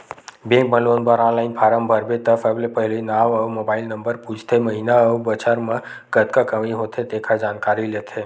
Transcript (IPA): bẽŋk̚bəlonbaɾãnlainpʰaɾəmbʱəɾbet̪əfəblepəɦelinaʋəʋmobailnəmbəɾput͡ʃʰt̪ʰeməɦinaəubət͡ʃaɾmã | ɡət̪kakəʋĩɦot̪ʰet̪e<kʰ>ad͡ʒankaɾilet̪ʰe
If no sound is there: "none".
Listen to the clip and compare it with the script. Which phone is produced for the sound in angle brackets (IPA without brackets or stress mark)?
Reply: kʰ